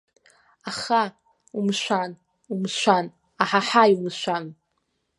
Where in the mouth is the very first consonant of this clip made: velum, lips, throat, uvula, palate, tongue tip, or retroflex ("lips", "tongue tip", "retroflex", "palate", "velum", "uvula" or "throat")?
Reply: uvula